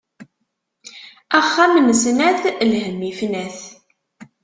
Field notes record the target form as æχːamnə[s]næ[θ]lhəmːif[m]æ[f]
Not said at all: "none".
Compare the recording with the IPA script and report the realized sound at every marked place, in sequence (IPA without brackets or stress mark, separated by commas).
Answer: s, θ, n, θ